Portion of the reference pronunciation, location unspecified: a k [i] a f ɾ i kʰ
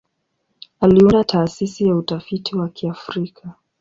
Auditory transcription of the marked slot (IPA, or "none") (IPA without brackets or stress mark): i